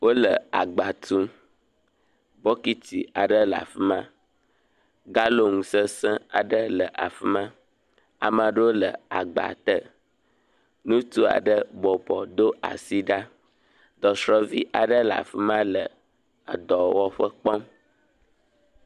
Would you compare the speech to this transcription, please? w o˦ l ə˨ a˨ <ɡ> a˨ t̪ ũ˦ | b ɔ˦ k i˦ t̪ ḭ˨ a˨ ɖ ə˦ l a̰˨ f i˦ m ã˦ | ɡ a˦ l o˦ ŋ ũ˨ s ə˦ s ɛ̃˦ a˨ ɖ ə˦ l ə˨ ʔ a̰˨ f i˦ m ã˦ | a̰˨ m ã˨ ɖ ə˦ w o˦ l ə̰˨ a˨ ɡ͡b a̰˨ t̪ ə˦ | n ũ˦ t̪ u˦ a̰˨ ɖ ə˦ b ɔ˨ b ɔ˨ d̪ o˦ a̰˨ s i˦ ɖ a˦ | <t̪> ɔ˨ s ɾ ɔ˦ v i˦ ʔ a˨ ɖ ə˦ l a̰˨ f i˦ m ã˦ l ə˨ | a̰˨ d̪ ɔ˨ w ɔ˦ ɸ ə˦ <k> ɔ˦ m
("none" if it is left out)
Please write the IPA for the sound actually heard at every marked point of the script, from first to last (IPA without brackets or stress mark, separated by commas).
ɡ͡b, d̪, k͡p